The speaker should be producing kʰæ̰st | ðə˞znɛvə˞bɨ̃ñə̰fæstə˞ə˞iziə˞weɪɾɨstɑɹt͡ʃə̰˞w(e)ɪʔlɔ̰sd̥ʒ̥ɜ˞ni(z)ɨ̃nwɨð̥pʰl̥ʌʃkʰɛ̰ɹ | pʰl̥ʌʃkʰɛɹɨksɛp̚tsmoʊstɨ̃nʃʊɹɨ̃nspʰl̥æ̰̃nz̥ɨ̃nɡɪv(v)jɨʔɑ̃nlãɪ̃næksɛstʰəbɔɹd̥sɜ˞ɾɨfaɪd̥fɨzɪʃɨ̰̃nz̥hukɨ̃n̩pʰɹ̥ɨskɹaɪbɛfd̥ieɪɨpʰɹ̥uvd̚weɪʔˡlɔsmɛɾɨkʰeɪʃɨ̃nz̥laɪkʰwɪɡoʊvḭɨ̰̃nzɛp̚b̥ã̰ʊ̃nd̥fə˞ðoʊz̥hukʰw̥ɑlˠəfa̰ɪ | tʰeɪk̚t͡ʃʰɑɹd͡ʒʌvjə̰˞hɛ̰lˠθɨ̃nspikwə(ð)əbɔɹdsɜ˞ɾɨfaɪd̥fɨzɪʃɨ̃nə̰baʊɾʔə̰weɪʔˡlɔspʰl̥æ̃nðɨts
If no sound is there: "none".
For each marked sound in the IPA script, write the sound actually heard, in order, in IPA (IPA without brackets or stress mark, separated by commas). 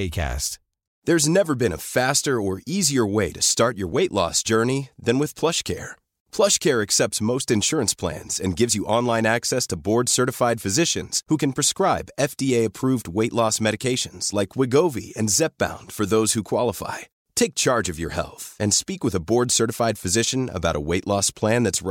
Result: e, ð, z, ð